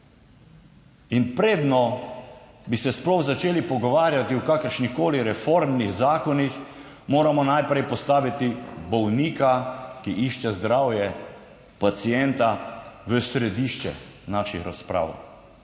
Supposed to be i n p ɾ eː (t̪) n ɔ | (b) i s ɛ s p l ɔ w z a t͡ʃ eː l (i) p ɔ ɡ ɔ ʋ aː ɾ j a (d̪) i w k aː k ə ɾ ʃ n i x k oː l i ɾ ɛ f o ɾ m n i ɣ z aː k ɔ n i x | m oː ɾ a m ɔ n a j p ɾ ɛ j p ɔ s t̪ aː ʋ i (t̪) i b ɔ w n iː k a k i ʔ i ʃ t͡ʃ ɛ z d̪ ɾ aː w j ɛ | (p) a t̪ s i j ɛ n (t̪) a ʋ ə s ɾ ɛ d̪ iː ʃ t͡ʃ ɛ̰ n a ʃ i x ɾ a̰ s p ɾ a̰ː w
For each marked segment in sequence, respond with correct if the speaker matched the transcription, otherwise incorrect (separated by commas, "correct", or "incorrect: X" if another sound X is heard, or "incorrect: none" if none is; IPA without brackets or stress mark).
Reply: incorrect: d̪, correct, correct, incorrect: t̪, correct, correct, correct